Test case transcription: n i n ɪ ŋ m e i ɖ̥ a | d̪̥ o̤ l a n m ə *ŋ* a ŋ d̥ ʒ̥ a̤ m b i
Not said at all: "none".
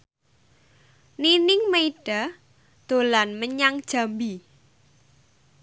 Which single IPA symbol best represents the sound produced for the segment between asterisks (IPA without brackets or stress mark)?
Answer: ɲ